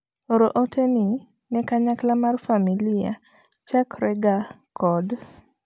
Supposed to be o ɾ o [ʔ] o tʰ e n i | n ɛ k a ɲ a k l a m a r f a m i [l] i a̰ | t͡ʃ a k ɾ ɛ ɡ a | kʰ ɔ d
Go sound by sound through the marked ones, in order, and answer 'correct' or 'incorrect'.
correct, correct

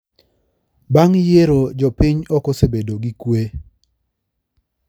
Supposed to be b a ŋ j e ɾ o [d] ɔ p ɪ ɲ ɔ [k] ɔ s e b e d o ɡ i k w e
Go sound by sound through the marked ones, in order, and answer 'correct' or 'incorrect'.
incorrect, correct

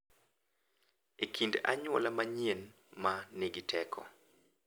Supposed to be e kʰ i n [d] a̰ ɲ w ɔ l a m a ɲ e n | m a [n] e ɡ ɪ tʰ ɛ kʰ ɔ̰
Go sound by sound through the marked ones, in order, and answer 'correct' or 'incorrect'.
correct, correct

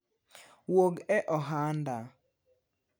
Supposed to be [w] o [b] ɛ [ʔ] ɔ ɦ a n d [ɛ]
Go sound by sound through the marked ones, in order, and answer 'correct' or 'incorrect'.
correct, incorrect, correct, incorrect

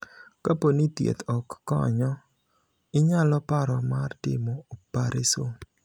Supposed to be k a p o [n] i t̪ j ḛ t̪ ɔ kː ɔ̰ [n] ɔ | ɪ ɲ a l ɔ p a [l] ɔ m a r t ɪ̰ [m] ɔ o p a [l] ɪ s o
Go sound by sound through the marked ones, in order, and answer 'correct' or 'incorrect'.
correct, incorrect, incorrect, correct, incorrect

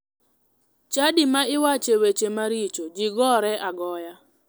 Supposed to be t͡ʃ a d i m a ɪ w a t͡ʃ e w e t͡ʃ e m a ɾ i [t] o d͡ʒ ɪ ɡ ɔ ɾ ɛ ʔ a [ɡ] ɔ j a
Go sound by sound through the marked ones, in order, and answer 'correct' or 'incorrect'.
incorrect, correct

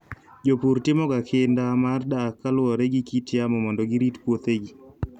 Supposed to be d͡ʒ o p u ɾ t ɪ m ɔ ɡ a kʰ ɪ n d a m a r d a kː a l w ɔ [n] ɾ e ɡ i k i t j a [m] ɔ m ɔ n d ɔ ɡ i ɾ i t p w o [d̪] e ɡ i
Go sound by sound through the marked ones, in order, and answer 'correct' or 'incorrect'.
incorrect, correct, incorrect

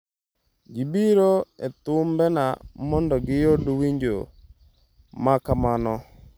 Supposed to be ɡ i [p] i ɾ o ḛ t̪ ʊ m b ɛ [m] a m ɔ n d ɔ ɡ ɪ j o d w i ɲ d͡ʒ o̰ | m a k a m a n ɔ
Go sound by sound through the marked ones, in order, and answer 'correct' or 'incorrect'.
incorrect, incorrect

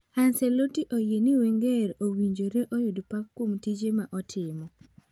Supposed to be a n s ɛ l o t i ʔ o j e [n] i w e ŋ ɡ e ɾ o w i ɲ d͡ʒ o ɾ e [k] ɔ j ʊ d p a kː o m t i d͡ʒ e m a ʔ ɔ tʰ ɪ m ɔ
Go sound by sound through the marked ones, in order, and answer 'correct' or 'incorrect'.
correct, incorrect

